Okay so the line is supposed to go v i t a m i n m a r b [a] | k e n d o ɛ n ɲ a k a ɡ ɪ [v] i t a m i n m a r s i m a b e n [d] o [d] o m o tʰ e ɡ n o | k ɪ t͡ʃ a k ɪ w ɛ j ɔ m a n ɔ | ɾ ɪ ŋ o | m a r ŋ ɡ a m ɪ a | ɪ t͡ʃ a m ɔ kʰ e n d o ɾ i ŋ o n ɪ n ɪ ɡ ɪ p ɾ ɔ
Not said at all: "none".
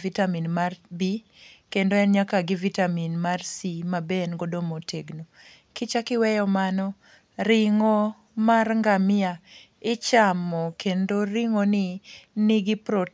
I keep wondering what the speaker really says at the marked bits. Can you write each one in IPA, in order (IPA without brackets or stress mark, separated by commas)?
i, v, ɡ, d